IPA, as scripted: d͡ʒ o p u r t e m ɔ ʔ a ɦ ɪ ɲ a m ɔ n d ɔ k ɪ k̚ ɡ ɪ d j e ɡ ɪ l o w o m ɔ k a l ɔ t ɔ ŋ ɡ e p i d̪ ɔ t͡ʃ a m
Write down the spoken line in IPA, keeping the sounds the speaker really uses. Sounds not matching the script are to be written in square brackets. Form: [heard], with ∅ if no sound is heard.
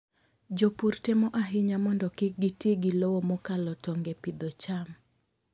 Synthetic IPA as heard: d͡ʒ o p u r t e m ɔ ʔ a ɦ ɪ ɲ a m ɔ n d ɔ k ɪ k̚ ɡ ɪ [t] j e ɡ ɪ l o w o m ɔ k a l ɔ t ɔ ŋ ɡ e p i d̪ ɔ t͡ʃ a m